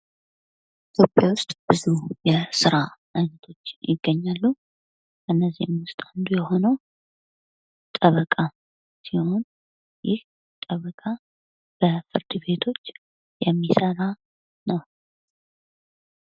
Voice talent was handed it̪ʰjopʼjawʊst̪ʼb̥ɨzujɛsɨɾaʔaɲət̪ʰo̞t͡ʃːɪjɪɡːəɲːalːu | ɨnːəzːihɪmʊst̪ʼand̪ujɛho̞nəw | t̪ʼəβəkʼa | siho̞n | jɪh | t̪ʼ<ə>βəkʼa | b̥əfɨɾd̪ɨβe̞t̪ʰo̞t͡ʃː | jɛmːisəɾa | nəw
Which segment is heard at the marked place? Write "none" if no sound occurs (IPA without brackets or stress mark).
ə